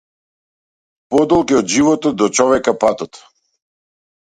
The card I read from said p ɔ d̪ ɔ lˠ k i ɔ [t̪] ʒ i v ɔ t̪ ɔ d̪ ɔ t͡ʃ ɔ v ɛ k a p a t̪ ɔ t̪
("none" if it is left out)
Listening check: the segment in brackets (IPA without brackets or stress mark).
d̪